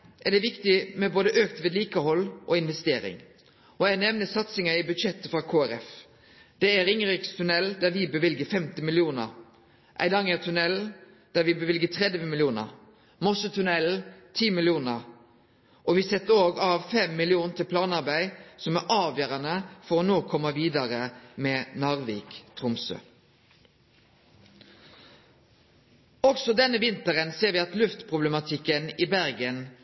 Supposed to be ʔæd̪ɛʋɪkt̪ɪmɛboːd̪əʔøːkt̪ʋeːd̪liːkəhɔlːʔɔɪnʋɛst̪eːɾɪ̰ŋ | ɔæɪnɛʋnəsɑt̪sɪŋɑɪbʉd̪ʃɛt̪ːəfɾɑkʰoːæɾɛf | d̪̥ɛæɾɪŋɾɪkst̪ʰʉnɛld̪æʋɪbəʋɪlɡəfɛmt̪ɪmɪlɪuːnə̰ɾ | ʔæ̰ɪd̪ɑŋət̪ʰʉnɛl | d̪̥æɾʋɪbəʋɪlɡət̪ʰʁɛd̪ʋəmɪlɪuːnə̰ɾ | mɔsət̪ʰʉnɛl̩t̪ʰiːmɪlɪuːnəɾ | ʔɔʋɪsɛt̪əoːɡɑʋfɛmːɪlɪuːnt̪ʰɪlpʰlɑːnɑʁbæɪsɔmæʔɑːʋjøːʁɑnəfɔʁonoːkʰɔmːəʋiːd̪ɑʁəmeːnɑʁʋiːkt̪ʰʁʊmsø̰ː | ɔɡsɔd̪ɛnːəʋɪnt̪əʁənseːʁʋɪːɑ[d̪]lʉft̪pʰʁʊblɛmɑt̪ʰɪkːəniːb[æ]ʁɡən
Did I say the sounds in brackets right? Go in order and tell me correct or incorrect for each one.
incorrect: t̪, correct

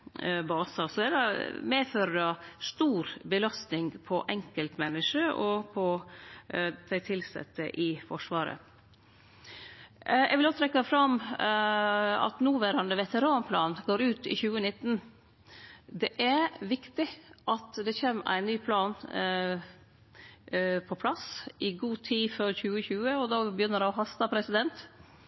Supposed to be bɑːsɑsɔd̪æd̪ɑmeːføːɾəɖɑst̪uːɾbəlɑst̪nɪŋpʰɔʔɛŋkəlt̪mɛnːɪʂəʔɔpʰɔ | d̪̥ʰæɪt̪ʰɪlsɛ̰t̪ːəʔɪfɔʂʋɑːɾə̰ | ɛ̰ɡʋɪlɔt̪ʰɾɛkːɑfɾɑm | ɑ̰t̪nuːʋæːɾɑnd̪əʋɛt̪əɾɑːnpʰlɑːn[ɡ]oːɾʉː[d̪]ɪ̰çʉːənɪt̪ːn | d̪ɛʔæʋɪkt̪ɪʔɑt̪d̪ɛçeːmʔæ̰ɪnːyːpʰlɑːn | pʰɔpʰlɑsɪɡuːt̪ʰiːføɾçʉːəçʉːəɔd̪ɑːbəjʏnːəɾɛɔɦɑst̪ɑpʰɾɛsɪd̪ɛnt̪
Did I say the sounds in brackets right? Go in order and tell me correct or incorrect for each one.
correct, incorrect: t̪

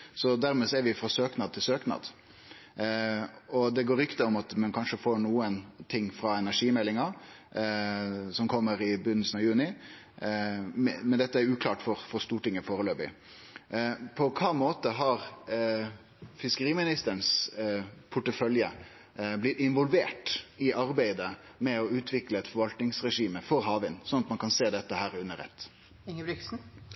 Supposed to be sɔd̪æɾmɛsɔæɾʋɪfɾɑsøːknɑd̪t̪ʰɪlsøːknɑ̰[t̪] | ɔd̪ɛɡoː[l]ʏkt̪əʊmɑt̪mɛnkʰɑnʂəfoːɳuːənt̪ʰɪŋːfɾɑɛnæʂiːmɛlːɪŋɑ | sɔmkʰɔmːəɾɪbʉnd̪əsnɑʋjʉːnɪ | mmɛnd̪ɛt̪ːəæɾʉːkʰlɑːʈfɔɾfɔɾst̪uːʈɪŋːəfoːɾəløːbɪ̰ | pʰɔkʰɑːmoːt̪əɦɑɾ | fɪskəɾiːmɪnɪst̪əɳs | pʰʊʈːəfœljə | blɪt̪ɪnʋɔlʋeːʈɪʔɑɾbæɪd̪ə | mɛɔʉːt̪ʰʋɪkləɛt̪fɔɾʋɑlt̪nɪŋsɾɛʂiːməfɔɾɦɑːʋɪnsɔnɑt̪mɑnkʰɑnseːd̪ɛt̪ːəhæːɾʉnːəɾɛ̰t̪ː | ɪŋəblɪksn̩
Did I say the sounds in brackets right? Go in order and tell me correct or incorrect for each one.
incorrect: d̪, incorrect: ɾ

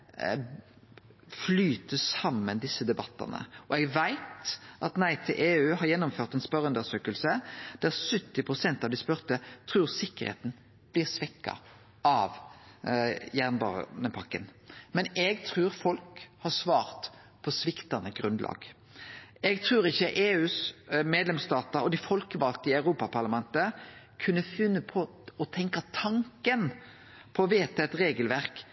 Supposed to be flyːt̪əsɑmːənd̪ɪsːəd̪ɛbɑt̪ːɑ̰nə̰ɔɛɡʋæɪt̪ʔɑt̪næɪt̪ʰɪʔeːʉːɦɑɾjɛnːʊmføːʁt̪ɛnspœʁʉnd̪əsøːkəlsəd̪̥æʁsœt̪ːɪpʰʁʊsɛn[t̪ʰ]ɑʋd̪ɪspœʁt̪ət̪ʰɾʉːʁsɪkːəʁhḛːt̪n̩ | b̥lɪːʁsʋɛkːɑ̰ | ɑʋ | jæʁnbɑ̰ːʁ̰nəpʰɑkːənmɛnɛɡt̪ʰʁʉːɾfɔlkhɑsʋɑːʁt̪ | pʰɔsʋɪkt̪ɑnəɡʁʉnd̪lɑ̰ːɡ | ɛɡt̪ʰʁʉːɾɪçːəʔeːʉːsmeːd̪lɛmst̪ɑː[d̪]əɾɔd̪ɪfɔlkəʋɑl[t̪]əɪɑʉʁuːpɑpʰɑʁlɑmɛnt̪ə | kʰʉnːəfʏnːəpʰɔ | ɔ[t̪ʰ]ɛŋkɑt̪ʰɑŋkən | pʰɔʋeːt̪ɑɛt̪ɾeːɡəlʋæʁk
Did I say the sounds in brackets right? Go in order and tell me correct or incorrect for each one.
incorrect: t̪, incorrect: t̪, correct, correct

